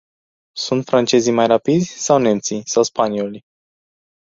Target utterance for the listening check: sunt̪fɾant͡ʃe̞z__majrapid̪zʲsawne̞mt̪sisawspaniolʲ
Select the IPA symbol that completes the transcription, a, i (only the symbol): i